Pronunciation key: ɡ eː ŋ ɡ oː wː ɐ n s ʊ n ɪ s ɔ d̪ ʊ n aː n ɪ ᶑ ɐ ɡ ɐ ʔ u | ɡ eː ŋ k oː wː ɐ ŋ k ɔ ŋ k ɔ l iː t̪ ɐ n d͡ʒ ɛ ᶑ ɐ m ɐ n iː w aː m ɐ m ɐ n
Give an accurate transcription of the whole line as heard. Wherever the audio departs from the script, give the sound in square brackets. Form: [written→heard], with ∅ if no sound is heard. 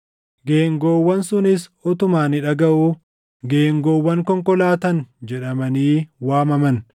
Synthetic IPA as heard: ɡ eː ŋ ɡ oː wː ɐ n s ʊ n ɪ s ɔ [d̪→t̪] ʊ [n→m] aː n ɪ ᶑ ɐ ɡ ɐ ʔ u | ɡ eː ŋ [k→ɡ] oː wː ɐ ŋ k ɔ ŋ k ɔ l [iː→aː] t̪ ɐ n d͡ʒ ɛ ᶑ ɐ m ɐ n iː w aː m ɐ m ɐ n